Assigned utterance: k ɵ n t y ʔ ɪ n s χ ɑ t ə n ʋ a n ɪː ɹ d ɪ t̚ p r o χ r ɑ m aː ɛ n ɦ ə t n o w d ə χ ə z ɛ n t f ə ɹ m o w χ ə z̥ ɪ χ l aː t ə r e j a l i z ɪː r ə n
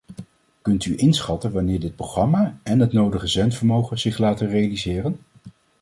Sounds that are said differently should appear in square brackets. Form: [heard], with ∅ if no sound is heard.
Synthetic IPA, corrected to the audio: k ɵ n t y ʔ ɪ n s χ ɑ t ə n ʋ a n ɪː ɹ d ɪ t̚ p r o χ r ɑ m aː ɛ n ɦ ə t n o w d ə χ ə z ɛ n t f ə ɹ m o w χ ə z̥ ɪ χ l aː t ə r e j a l i z ɪː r ə n